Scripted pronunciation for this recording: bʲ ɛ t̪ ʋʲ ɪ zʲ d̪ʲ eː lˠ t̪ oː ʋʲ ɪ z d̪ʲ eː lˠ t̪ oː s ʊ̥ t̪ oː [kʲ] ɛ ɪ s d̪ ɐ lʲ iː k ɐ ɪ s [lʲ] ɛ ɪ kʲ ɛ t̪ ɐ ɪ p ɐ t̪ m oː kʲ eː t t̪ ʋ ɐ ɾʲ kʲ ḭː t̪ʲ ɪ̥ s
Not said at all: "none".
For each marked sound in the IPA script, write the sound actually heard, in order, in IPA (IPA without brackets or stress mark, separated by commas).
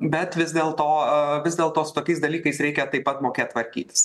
kʲ, ɾʲ